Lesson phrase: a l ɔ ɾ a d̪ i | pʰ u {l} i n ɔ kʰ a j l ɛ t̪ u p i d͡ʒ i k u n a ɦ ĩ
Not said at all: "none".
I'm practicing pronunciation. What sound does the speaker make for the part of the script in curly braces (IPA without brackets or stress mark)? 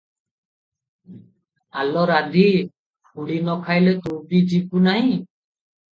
ɽ